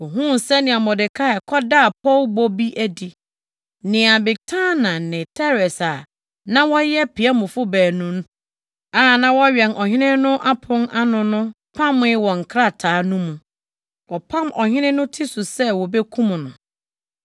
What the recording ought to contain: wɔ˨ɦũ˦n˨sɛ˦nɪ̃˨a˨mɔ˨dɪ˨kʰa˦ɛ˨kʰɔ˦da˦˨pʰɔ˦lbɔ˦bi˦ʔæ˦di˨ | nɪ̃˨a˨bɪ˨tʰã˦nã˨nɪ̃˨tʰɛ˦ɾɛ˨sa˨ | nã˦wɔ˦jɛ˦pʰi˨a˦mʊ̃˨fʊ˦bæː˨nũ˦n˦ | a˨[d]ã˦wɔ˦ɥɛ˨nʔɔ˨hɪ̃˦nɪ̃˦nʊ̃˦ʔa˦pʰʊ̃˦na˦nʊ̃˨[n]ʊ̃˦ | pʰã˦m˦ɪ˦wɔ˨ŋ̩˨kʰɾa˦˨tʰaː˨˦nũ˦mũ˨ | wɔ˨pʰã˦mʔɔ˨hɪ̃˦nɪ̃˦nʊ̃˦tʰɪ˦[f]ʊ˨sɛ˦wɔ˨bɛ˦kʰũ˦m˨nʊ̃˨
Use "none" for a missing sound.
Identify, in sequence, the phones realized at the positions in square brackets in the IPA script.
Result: n, n, s

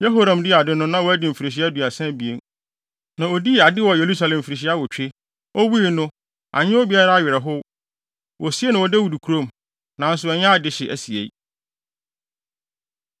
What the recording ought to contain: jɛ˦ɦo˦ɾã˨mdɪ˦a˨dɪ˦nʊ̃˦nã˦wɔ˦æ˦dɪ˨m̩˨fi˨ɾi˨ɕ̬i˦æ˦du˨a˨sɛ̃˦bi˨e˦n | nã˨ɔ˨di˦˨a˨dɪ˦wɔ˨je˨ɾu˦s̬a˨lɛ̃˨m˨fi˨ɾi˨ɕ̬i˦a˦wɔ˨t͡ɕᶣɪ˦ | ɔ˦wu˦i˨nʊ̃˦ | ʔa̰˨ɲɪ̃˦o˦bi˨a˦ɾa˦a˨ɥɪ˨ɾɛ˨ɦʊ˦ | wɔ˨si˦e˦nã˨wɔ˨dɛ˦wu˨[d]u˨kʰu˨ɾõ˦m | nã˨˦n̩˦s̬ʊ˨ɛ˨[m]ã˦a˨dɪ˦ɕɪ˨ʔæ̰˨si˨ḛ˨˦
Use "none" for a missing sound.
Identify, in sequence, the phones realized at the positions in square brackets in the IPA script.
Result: d, ɲ

